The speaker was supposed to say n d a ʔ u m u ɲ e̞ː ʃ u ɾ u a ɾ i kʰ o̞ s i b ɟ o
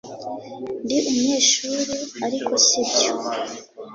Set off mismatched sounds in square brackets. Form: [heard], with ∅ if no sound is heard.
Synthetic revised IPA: n d [i] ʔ u m u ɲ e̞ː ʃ u ɾ u a ɾ i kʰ o̞ s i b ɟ o